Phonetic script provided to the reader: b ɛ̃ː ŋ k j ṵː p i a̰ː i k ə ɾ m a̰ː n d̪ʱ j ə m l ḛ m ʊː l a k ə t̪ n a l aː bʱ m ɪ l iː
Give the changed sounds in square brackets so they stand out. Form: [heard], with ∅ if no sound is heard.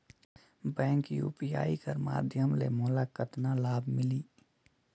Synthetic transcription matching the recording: b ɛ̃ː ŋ k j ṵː p i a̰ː i k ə ɾ m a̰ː [∅] d̪ʱ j ə m l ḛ m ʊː l a k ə t̪ n a l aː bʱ m ɪ l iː

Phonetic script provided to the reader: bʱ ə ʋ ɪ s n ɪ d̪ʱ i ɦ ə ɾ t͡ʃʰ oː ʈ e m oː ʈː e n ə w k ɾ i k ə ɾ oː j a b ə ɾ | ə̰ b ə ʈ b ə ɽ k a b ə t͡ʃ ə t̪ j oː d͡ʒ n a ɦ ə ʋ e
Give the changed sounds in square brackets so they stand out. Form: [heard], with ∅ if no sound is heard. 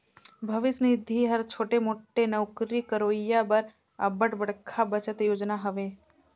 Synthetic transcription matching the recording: bʱ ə ʋ ɪ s n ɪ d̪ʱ i ɦ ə ɾ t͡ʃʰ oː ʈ e m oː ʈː e n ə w k ɾ i k ə ɾ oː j a b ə ɾ | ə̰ b ə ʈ b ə ɽ [kʰ] a b ə t͡ʃ ə t̪ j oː d͡ʒ n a ɦ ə ʋ e

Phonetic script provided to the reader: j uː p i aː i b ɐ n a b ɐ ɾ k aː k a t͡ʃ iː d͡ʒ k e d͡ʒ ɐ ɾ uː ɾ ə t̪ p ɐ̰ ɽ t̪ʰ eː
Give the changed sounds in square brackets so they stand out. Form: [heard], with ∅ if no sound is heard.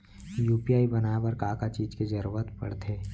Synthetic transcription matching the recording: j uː p i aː i b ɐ n a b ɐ ɾ k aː k a t͡ʃ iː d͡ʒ k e d͡ʒ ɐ ɾ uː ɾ ə t̪ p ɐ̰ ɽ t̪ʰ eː

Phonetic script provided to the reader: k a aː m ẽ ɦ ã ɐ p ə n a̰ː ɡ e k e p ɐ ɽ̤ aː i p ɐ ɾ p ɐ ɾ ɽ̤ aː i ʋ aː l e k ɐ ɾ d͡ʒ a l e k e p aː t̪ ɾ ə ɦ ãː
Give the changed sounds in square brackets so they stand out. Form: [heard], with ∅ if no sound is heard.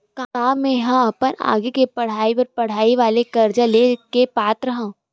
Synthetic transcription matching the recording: k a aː m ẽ ɦ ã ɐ p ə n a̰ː ɡ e k e p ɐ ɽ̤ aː i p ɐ ɾ p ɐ [∅] ɽ̤ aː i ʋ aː l e k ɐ ɾ d͡ʒ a l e k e p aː t̪ ɾ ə ɦ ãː

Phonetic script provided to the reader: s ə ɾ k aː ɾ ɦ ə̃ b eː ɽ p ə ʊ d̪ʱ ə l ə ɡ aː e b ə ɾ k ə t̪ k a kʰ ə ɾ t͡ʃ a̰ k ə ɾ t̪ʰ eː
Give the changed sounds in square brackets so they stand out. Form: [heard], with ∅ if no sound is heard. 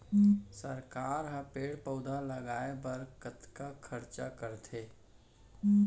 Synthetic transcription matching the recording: s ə ɾ k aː ɾ ɦ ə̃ [p] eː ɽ p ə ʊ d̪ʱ [a] l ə ɡ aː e b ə ɾ k ə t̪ k a kʰ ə ɾ t͡ʃ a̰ k ə ɾ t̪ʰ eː

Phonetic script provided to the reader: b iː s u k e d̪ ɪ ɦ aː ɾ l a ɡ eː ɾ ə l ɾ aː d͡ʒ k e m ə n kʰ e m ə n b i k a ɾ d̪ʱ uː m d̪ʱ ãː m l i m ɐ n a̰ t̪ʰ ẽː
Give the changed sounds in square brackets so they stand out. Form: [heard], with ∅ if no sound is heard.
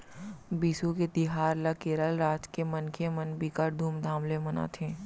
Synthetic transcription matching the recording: b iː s u k e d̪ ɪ ɦ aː ɾ l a [k] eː ɾ ə l ɾ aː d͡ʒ k e m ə n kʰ e m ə n b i k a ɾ d̪ʱ uː m d̪ʱ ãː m l [e] m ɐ n a̰ t̪ʰ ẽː

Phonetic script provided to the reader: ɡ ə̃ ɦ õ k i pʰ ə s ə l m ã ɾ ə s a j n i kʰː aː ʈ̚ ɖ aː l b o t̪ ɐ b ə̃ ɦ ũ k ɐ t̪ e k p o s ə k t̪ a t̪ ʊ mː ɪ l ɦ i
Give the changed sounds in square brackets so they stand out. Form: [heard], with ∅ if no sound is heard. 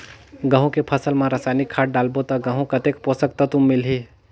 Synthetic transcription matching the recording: ɡ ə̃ ɦ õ k [e] pʰ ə s ə l m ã ɾ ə s a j n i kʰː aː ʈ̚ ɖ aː l b o t̪ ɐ [ɡ] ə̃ ɦ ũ k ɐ t̪ e k p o s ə k t̪ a t̪ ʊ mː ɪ l ɦ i

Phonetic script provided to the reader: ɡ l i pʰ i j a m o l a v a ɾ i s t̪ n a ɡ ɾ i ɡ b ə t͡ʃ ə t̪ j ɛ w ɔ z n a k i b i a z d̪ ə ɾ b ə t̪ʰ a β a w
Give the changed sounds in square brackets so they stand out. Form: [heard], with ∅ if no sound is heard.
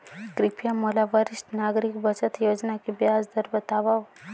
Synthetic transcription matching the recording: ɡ [ɾ] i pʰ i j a m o l a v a ɾ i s t̪ n a ɡ ɾ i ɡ b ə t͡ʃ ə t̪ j ɛ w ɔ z n a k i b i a z d̪ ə ɾ b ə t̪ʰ a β a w

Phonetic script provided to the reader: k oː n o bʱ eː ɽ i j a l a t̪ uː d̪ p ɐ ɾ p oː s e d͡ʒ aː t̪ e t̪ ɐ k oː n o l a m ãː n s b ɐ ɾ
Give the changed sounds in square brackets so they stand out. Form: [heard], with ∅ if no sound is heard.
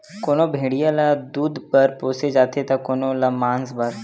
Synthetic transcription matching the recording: k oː n o bʱ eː ɽ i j a l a [d̪] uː d̪ p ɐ ɾ p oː s e d͡ʒ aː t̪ e t̪ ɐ k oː n o l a m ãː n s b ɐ ɾ

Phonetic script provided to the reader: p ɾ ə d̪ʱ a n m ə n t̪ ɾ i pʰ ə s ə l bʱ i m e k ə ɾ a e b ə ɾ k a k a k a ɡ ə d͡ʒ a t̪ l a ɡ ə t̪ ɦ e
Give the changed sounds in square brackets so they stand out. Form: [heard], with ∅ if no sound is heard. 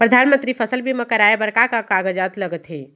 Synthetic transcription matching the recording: p ɾ ə d̪ʱ a n m ə n t̪ ɾ i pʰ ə s ə l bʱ i m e k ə ɾ a e b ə ɾ k a k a k a ɡ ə d͡ʒ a t̪ l [ə] ɡ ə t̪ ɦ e

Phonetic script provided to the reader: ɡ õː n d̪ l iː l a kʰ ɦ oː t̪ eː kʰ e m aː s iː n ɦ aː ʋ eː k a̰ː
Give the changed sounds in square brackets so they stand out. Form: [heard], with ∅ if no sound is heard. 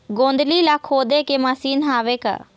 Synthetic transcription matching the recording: ɡ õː n d̪ l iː l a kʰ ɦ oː [d̪] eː [k] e m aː s iː n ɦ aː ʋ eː k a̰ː

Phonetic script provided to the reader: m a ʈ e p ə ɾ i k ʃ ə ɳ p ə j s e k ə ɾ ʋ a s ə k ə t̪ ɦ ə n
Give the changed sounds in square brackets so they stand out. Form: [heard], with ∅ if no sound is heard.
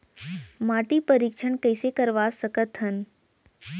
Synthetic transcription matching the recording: m a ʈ [i] p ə ɾ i k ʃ ə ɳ [k] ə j s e k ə ɾ ʋ a s ə k ə t̪ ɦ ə n

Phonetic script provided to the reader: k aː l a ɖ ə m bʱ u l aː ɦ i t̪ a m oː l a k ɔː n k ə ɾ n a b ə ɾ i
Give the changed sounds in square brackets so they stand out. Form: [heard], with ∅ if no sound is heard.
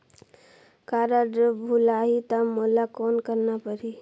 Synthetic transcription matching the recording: k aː [ɾ] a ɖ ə [∅] bʱ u l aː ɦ i t̪ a m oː l a k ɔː n k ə ɾ n a [p] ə ɾ i

